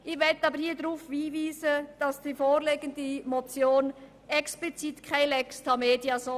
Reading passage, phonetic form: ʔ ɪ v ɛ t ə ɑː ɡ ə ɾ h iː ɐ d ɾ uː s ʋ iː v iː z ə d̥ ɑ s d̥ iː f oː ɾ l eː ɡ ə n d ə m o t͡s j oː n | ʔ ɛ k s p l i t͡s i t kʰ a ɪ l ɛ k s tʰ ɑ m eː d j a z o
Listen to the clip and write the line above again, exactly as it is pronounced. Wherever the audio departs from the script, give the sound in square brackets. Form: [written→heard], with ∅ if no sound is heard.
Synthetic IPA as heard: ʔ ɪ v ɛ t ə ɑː [ɡ→b] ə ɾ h iː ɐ d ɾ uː [s→f] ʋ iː v iː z ə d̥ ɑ s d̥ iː f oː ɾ l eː ɡ ə n d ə m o t͡s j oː n | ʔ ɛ k s p l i t͡s i t kʰ a ɪ l ɛ k s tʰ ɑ m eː d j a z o

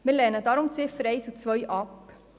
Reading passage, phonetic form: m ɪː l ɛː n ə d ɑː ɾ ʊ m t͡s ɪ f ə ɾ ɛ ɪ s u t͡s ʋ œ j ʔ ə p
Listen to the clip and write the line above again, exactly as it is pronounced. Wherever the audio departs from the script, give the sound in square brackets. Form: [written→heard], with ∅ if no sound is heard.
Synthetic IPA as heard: m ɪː l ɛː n ə d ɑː ɾ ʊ m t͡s ɪ f ə ɾ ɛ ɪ s u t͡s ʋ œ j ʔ [ə→ɑ] p

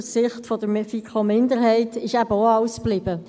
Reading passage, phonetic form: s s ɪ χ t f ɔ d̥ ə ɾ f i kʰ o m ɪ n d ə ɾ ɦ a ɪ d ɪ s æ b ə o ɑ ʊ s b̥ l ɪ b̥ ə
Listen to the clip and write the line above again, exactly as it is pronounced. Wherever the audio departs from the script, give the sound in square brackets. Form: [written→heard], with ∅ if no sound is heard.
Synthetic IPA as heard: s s ɪ χ t f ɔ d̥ ə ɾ f i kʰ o m ɪ n d ə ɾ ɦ [a→ɛ] ɪ [d→t] ɪ [s→ʃ] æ b ə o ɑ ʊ s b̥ l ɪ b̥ ə

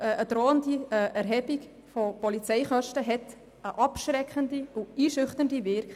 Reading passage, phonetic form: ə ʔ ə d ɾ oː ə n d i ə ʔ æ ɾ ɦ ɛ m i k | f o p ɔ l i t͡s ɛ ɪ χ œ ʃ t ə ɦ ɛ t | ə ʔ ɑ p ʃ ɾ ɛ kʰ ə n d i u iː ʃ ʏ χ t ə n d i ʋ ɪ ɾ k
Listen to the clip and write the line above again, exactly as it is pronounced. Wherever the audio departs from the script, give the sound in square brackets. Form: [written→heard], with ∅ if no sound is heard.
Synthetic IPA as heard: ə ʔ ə d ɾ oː ə n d i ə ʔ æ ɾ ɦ ɛ [m→b] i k | f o p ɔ l i t͡s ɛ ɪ χ œ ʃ t ə ɦ ɛ t | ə ʔ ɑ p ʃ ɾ ɛ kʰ ə n d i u iː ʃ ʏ χ t ə n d i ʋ ɪ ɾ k

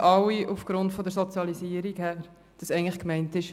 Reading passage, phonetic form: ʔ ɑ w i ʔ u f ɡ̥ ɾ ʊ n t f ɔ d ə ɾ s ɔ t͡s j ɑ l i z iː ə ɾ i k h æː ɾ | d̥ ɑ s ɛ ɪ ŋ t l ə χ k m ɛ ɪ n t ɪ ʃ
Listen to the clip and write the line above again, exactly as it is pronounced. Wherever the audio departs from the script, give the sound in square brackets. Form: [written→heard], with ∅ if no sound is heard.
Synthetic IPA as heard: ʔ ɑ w i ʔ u f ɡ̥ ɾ ʊ n t f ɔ d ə ɾ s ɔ t͡s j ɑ l i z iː ə ɾ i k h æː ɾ | d̥ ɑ s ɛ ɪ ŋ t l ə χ k m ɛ ɪ n t ɪ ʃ

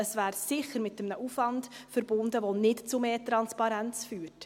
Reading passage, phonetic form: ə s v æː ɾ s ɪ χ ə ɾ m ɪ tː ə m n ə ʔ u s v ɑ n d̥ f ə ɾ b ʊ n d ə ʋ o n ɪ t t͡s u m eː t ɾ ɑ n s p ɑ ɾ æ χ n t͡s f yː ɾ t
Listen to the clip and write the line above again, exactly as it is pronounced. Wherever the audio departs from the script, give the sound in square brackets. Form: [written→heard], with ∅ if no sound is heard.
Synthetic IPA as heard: ə s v æː ɾ s ɪ χ ə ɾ m ɪ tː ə m n ə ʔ u [s→f] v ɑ n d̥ f ə ɾ b ʊ n d ə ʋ o n ɪ t t͡s u m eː t ɾ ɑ n s p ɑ ɾ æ [χ→∅] n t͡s f yː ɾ t

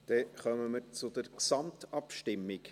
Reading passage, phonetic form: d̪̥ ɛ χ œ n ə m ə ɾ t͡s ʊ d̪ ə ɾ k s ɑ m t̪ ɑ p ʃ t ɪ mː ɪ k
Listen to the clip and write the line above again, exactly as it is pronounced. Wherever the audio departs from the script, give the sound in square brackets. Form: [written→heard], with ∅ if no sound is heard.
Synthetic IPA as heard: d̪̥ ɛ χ œ [n→m] ə m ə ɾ t͡s ʊ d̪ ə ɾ k s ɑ m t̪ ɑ p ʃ t ɪ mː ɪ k

